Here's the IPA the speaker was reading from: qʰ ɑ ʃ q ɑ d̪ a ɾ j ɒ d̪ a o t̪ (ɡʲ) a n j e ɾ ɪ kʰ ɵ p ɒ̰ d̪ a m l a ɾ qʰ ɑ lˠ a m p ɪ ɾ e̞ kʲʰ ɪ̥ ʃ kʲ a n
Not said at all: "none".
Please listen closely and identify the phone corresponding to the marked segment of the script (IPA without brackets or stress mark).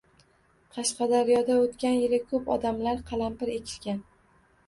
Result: kʲ